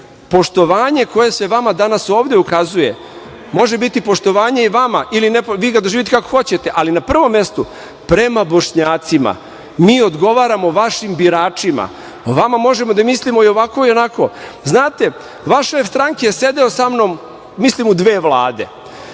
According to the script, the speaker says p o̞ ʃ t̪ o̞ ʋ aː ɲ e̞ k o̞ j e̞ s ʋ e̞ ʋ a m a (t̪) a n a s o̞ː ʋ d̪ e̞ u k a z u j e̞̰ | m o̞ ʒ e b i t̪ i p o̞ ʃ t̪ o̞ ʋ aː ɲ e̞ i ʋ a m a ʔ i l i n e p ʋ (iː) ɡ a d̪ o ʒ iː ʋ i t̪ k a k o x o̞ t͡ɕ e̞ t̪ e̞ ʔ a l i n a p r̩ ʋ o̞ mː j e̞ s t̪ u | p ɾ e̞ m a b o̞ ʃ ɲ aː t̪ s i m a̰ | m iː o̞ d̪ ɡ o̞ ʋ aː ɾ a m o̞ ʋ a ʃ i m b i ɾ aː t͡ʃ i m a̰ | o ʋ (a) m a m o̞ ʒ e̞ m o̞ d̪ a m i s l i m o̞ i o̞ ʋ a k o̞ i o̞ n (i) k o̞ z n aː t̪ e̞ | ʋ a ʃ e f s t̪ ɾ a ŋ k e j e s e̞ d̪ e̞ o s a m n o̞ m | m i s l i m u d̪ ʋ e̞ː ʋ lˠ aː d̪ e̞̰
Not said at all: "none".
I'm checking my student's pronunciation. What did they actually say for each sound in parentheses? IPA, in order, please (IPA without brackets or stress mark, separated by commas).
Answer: d̪, iː, a, a